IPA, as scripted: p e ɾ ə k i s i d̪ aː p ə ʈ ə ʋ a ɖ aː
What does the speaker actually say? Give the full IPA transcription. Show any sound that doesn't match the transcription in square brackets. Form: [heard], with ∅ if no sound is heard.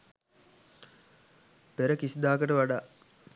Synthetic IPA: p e ɾ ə k i s i d̪ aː [k] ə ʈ ə ʋ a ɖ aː